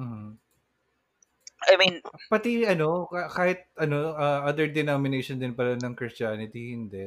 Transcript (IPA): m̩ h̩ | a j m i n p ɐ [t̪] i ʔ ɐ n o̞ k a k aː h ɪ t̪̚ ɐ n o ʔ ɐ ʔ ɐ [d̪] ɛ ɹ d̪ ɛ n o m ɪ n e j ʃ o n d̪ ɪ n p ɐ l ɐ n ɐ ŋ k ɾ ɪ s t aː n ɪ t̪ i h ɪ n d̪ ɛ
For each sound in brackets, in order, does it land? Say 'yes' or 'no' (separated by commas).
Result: yes, yes